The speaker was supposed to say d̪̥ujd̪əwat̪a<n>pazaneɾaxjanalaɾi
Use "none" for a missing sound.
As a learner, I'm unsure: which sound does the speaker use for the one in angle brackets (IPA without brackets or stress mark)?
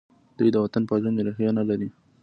n